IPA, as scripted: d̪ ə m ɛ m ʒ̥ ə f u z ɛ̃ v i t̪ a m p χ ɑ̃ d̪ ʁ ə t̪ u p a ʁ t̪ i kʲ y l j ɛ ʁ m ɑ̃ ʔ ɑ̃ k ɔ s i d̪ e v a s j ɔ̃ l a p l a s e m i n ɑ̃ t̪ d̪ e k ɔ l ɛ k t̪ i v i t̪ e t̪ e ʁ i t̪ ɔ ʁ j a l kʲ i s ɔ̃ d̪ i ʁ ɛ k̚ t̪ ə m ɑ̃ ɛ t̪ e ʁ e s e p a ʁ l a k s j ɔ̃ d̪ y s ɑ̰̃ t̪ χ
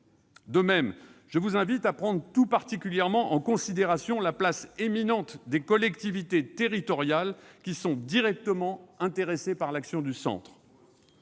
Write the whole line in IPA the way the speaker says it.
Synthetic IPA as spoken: d̪ ə m ɛ m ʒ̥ ə v u z ɛ̃ v i t̪ a p χ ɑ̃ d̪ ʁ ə t̪ u p a ʁ t̪ i kʲ y l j ɛ ʁ m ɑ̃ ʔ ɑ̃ k ɔ̃ s i d̪ e ʁ a s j ɔ̃ l a p l a s e m i n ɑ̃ t̪ d̪ e k ɔ l ɛ k t̪ i v i t̪ e t̪ e ʁ i t̪ ɔ ʁ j a l kʲ i s ɔ̃ d̪ i ʁ ɛ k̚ t̪ ə m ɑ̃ ɛ̃ t̪ e ʁ e s e p a ʁ l a k s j ɔ̃ d̪ y s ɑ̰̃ t̪ χ

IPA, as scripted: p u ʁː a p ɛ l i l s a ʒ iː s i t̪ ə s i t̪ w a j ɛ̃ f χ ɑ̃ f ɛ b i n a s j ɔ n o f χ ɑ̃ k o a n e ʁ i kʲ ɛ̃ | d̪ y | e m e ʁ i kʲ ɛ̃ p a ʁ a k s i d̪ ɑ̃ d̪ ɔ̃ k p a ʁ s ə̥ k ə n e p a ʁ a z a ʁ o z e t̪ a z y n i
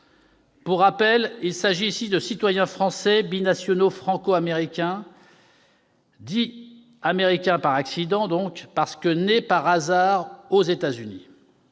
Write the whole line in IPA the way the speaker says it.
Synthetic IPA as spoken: p u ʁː a p ɛ l i l s a ʒ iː s i d̪ ə s i t̪ w a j ɛ̃ f χ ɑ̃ s ɛ b i n a s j ɔ n o f χ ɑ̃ k o a m e ʁ i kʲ ɛ̃ | d̪ i | a m e ʁ i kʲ ɛ̃ p a ʁ a k s i d̪ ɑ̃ d̪ ɔ̃ k p a ʁ s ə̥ k ə n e p a ʁ a z a ʁ o z e t̪ a z y n i

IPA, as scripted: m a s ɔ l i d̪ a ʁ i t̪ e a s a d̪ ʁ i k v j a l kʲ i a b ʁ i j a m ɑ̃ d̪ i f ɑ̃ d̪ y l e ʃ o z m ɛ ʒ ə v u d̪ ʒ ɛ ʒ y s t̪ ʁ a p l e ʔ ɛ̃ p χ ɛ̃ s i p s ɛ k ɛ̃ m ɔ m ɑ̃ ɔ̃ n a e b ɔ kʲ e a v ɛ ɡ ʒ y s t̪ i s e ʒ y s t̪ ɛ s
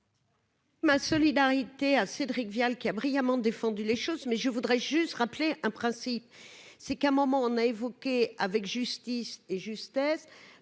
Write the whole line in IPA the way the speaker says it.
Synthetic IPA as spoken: m a s ɔ l i d̪ a ʁ i t̪ e a s e d̪ ʁ i k v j a l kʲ i a b ʁ i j a m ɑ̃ d̪ e f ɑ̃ d̪ y l e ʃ o z m ɛ ʒ ə v u d̪ ʁ ɛ ʒ y s t̪ ʁ a p l e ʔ ɛ̃ p χ ɛ̃ s i p s ɛ k ɛ̃ m ɔ m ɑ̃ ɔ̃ n a e v ɔ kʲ e a v ɛ k ʒ y s t̪ i s e ʒ y s t̪ ɛ s

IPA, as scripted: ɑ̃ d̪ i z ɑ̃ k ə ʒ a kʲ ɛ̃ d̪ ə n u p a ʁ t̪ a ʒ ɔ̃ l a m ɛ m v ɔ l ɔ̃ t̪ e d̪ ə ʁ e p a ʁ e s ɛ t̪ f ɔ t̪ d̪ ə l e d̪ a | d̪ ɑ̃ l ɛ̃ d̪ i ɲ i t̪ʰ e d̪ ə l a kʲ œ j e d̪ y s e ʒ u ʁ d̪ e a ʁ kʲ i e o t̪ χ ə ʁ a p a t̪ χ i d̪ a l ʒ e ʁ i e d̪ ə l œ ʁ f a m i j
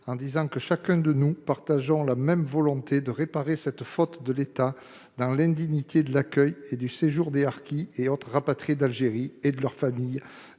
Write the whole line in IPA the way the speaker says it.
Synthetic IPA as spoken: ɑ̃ d̪ i z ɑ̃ k ə ʃ a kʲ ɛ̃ d̪ ə n u p a ʁ t̪ a ʒ ɔ̃ l a m ɛ m v ɔ l ɔ̃ t̪ e d̪ ə ʁ e p a ʁ e s ɛ t̪ f ɔ t̪ d̪ ə l e t̪ a | d̪ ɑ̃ l ɛ̃ d̪ i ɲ i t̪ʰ e d̪ ə l a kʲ œ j e d̪ y s e ʒ u ʁ d̪ e a ʁ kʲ i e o t̪ χ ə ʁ a p a t̪ χ i d̪ a l ʒ e ʁ i e d̪ ə l œ ʁ f a m i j

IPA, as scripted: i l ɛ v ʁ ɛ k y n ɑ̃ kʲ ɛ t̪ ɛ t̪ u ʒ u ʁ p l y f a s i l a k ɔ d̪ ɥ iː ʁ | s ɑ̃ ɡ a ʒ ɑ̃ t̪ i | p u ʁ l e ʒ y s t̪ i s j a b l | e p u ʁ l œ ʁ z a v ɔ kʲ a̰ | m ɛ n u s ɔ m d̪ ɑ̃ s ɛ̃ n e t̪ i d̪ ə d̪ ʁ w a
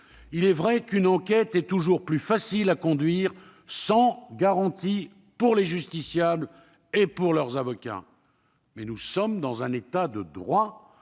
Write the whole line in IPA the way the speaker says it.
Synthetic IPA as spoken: i l ɛ v ʁ ɛ k y n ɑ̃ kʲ ɛ t̪ ɛ t̪ u ʒ u ʁ p l y f a s i l a k ɔ̃ d̪ ɥ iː ʁ | s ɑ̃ ɡ a ʁ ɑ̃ t̪ i | p u ʁ l e ʒ y s t̪ i s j a b l | e p u ʁ l œ ʁ z a v ɔ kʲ a̰ | m ɛ n u s ɔ m d̪ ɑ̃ z ɛ̃ n e t̪ a d̪ ə d̪ ʁ w a

